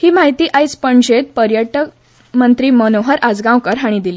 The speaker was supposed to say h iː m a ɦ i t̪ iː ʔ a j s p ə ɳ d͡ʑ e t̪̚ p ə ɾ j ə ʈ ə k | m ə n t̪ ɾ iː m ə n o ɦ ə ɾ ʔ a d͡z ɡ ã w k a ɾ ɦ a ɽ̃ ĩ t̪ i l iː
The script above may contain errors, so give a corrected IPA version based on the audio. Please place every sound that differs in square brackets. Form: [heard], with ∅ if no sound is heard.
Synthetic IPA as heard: h iː m a ɦ i t̪ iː ʔ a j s p ə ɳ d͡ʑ e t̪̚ p ə ɾ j ə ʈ ə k | m ə n t̪ ɾ iː m ə n o ɦ ə ɾ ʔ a d͡z ɡ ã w k [ə] ɾ ɦ a ɽ̃ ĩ [d̪] i l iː